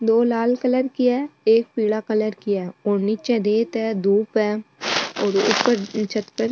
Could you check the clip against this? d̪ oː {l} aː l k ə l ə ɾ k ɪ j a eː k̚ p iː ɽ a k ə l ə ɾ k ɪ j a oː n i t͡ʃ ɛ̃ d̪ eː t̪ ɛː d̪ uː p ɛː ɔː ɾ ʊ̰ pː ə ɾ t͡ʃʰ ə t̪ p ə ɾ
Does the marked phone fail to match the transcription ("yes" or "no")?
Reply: no